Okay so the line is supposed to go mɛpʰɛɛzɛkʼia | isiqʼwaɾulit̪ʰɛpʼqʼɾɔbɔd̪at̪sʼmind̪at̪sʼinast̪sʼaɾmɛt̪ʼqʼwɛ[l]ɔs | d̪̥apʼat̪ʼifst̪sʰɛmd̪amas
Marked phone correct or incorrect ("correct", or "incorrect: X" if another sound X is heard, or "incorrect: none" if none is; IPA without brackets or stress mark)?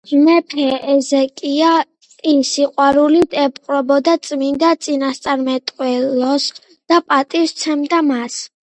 correct